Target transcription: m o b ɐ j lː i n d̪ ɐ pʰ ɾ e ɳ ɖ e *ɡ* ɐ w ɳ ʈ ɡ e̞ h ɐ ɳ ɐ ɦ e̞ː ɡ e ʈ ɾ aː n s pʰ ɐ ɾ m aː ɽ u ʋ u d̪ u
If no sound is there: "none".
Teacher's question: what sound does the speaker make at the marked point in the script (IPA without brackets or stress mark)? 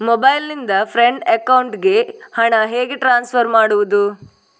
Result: k